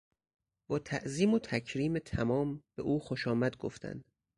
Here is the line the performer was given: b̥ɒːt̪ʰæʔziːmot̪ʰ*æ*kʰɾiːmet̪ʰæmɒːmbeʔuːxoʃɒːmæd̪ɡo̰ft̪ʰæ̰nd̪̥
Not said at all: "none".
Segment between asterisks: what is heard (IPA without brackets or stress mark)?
æ